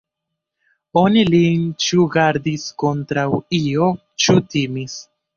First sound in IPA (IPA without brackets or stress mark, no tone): o̞